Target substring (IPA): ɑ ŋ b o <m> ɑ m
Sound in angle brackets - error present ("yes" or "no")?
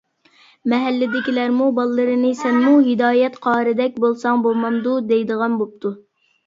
no